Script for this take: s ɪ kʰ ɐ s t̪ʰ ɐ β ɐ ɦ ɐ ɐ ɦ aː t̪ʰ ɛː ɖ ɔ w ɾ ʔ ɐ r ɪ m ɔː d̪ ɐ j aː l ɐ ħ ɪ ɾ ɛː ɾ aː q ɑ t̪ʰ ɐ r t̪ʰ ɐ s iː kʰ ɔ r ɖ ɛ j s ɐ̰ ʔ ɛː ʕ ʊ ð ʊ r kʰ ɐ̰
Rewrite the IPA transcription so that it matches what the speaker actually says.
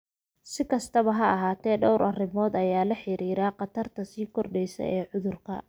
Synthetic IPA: s ɪ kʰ ɐ s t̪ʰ ɐ β ɐ ɦ ɐ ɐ ɦ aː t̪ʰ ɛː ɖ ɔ w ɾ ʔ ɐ r ɪ m ɔː d̪ ɐ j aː l ɐ ħ ɪ ɾ iː ɾ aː q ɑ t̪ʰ ɐ r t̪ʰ ɐ s iː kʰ ɔ r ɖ ɛ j s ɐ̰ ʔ ɛː ʕ ʊ ð ʊ r kʰ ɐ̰